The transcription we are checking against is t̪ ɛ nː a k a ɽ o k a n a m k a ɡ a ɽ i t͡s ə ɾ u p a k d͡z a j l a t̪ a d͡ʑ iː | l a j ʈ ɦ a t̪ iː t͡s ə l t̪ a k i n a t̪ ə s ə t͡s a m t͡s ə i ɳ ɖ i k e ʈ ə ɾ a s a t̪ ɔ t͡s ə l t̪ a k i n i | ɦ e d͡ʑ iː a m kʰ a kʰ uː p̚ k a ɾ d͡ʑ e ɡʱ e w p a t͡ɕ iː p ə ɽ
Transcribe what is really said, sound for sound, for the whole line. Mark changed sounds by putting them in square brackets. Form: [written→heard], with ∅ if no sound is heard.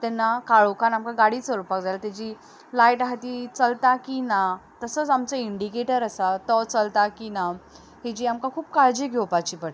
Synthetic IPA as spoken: t̪ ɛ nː a k a [ɽ→ɭ] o k a n a m k a ɡ a ɽ i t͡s ə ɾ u p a k d͡z a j l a t̪ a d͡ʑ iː | l a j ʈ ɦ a t̪ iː t͡s ə l t̪ a k i n a t̪ ə s ə t͡s a m t͡s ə i ɳ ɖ i k e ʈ ə ɾ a s a t̪ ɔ t͡s ə l t̪ a k i n [i→a] | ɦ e d͡ʑ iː a m [kʰ→k] a kʰ uː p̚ k a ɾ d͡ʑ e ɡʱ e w p a t͡ɕ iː p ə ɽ